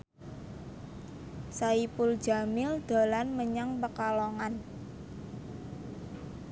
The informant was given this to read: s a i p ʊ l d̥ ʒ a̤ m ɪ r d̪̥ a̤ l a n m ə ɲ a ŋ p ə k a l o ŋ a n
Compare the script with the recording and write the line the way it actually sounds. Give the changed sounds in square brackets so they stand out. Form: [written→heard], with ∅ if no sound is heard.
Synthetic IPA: s a i p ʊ l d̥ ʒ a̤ m ɪ [r→l] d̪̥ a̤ l a n m ə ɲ a ŋ p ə k a l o ŋ a n